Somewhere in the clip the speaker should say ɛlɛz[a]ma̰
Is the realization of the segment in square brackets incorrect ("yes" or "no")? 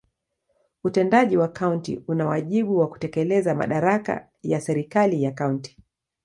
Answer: no